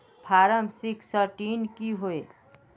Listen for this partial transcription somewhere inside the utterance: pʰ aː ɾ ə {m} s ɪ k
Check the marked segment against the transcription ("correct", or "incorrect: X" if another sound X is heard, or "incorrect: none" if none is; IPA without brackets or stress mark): correct